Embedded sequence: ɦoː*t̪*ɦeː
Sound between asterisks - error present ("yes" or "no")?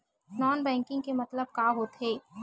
no